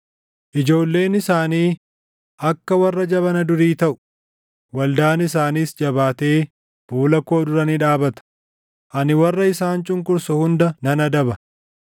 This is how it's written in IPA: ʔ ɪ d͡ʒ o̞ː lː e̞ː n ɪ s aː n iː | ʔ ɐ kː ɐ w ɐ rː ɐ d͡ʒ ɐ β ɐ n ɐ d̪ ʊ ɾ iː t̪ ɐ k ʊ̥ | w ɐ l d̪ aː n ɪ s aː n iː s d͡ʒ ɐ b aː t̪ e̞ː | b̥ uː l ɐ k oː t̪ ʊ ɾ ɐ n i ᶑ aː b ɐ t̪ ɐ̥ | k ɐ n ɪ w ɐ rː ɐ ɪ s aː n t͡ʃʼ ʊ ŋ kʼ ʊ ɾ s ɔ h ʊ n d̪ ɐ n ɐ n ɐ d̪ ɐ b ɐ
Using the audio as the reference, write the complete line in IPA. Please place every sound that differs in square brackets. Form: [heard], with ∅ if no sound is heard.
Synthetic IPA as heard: ʔ ɪ d͡ʒ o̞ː lː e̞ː n ɪ s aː n iː | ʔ ɐ kː ɐ w ɐ rː ɐ d͡ʒ ɐ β ɐ n ɐ d̪ ʊ ɾ iː t̪ ɐ [ʔ] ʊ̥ | w ɐ l d̪ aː n ɪ s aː n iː s d͡ʒ ɐ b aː t̪ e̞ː | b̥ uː l ɐ k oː [d̪] ʊ ɾ ɐ n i ᶑ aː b ɐ t̪ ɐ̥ | [ʔ] ɐ n ɪ w ɐ rː ɐ ɪ s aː n t͡ʃʼ ʊ ŋ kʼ ʊ ɾ s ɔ h ʊ n d̪ ɐ n ɐ n ɐ d̪ ɐ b ɐ